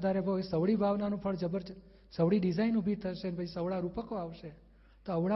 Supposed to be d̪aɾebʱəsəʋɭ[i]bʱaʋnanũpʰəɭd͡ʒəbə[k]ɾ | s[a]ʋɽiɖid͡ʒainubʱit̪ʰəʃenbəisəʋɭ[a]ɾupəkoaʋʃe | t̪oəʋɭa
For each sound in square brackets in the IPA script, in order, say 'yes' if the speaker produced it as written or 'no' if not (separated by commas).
yes, no, no, yes